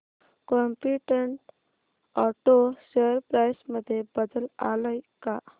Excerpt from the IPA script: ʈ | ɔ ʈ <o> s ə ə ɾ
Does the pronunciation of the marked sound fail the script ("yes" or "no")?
no